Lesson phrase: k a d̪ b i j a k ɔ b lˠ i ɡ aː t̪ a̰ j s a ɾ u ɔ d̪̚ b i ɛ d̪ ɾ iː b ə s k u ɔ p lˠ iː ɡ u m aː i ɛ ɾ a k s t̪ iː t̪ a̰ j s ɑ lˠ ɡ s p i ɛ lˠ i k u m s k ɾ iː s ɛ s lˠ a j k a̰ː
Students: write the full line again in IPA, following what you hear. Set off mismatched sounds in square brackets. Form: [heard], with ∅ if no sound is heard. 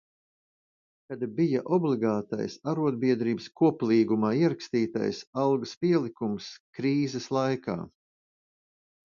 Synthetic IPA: k a d̪ b i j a [ʔ] ɔ b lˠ i ɡ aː t̪ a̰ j s a ɾ u ɔ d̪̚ b i ɛ d̪ ɾ iː b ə s k u ɔ p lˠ iː ɡ u m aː i ɛ ɾ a k s t̪ iː t̪ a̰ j s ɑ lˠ ɡ s p i ɛ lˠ i k u m s k ɾ iː [z] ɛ s lˠ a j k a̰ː